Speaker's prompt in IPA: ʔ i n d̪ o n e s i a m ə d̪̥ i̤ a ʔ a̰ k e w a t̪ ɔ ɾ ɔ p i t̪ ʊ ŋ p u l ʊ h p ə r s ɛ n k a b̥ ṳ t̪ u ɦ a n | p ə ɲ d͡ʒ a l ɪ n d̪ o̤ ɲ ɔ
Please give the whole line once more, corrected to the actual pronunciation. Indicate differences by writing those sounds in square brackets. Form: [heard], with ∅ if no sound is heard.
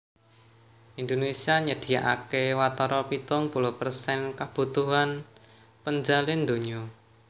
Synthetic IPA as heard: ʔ i n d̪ o n e s i a [ɲ] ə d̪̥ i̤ a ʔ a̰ k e w a t̪ ɔ ɾ ɔ p i t̪ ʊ ŋ p u l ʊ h p ə r s ɛ n k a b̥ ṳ t̪ u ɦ a n | p ə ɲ d͡ʒ a l ɪ n d̪ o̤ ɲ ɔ